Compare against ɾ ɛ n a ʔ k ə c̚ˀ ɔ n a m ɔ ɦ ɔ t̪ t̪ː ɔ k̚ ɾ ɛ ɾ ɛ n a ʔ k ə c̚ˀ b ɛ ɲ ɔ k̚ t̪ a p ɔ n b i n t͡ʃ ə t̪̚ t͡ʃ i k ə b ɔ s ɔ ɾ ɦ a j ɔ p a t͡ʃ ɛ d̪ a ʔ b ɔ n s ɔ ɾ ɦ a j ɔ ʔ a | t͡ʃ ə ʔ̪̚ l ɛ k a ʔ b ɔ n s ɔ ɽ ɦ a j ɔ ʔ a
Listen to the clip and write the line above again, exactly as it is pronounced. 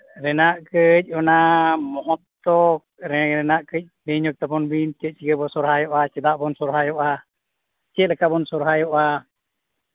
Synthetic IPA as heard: ɾ ɛ n a ʔ k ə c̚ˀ ɔ n a m ɔ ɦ ɔ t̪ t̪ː ɔ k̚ ɾ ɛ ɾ ɛ n a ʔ k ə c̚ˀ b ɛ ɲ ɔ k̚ t̪ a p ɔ n b i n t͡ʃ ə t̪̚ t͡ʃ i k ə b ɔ s ɔ ɾ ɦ a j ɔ ʔ a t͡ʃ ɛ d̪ a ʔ b ɔ n s ɔ ɾ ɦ a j ɔ ʔ a | t͡ʃ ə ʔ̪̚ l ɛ k a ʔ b ɔ n s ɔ ɾ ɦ a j ɔ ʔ a

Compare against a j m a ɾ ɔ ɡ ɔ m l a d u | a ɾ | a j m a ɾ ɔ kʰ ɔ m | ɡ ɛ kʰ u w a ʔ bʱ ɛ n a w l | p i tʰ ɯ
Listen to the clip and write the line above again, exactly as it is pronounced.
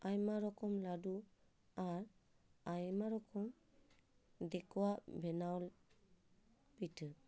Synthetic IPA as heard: a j m a ɾ ɔ k ɔ m l a d u | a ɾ | a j m a ɾ ɔ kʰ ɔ m | d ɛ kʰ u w a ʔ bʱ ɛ n a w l | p i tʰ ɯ

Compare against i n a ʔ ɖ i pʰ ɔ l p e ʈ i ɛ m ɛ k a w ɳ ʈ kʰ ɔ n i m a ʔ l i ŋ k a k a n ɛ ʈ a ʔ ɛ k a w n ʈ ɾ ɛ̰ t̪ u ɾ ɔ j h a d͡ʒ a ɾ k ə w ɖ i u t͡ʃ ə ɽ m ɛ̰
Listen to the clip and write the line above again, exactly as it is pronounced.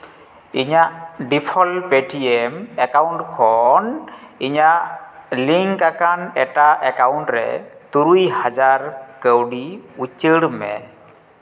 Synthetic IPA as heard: i ɲ a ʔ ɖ i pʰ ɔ l p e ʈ i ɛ m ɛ k a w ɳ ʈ kʰ ɔ n i ɲ a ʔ l i ŋ k a k a n ɛ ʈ a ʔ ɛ k a w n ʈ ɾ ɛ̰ t̪ u ɾ u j h a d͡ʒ a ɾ k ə w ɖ i u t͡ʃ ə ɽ m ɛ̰

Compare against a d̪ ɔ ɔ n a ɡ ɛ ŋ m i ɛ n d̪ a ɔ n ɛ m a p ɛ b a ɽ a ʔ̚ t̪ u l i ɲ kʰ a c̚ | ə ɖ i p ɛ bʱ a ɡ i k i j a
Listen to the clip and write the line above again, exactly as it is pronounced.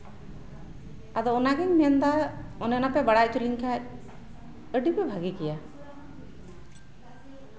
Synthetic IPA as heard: a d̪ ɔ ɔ n a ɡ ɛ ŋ m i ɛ n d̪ a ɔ n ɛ n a p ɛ b a ɽ a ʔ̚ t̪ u l i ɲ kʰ a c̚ | ə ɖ i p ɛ bʱ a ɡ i k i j a

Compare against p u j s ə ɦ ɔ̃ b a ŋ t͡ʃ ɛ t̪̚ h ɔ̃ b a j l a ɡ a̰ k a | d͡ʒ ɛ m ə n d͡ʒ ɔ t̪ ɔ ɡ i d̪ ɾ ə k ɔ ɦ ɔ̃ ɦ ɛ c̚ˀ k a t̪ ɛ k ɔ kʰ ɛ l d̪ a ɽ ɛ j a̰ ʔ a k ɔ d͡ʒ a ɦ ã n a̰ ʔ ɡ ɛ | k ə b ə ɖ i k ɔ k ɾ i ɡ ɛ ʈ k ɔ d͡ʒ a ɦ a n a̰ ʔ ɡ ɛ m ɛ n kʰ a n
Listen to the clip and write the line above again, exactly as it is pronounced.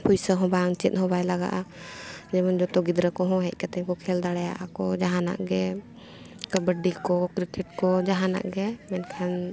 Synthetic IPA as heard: p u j s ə ɦ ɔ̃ b a ŋ t͡ʃ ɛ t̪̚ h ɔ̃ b a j l a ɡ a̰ ʔ a | d͡ʒ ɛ m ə n d͡ʒ ɔ t̪ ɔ ɡ i d̪ ɾ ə k ɔ ɦ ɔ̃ ɦ ɛ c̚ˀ k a t̪ ɛ k ɔ kʰ ɛ l d̪ a ɽ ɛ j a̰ ʔ a k ɔ d͡ʒ a ɦ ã n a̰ ʔ ɡ ɛ | k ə b ə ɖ i k ɔ k ɾ i k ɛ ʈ k ɔ d͡ʒ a ɦ a n a̰ ʔ ɡ ɛ m ɛ n kʰ a n

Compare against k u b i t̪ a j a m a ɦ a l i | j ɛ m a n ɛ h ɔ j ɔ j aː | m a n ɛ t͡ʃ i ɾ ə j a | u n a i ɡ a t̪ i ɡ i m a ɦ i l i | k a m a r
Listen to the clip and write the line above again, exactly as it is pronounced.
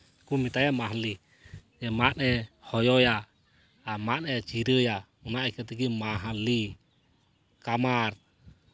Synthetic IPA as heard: k u m i t̪ a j a m a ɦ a l i | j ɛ m a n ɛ h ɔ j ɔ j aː | m a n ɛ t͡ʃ i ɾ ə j a | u n a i k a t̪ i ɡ i m a ɦ a l i | k a m a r

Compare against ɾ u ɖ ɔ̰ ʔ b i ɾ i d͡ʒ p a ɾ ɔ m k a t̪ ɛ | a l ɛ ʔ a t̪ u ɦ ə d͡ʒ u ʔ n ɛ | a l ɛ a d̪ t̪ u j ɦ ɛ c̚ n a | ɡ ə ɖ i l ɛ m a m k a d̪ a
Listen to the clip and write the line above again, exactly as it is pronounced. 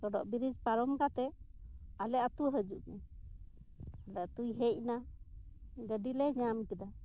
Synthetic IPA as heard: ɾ ɔ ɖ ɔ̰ ʔ b i ɾ i d͡ʒ p a ɾ ɔ m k a t̪ ɛ | a l ɛ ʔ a t̪ u ɦ ə d͡ʒ u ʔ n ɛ | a l ɛ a t̪ u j ɦ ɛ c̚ n a | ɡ ə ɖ i l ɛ ɲ a m k ɛ d̪ a

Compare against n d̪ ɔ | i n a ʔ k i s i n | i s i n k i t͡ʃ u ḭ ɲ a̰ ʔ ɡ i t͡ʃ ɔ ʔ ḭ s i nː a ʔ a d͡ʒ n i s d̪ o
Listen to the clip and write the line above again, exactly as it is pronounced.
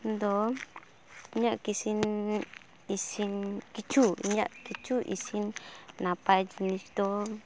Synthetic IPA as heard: n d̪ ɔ | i ɲ a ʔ k i s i n | i s i n k i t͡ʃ u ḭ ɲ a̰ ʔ k i t͡ʃ u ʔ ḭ s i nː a p a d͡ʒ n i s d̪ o

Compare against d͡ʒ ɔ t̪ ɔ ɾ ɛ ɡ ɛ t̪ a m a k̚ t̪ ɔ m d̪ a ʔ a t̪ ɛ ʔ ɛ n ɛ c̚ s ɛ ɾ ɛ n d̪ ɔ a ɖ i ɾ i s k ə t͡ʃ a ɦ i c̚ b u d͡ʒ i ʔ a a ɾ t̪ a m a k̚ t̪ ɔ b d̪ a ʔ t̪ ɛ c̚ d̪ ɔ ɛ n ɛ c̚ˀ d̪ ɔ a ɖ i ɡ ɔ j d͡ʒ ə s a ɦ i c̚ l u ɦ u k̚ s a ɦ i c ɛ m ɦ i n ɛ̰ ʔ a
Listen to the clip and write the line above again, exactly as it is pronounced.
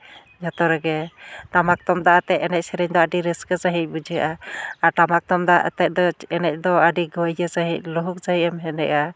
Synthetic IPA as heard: d͡ʒ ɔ t̪ ɔ ɾ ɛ ɡ ɛ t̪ a m a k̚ t̪ ɔ m d̪ a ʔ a t̪ ɛ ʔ ɛ n ɛ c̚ s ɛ ɾ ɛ ɲ d̪ ɔ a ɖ i ɾ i s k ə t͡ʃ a ɦ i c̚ b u d͡ʒ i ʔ a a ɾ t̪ a m a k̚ t̪ ɔ m d̪ a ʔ t̪ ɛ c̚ d̪ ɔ ɛ n ɛ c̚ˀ d̪ ɔ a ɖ i ɡ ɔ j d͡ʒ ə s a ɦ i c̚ l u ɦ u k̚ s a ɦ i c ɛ m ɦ ɛ n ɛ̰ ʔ a

